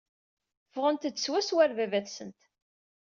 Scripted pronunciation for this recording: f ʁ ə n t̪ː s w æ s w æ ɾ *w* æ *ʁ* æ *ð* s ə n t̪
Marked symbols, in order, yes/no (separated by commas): no, no, no